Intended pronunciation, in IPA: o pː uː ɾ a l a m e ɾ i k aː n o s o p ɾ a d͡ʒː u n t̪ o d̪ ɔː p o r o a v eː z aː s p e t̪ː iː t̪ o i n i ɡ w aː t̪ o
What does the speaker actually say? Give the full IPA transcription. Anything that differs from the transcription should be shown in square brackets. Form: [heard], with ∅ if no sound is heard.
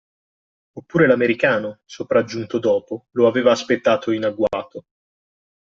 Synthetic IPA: o pː uː ɾ [e] l a m e ɾ i k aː n o s o p ɾ a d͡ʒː u n t̪ o d̪ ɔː p o [l] o a v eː [v] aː s p e t̪ː [aː] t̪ o i n [a] ɡ w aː t̪ o